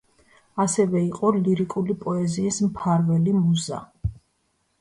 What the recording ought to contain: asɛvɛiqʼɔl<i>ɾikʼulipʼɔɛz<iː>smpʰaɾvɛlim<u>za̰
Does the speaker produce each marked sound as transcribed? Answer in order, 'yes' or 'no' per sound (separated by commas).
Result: yes, yes, yes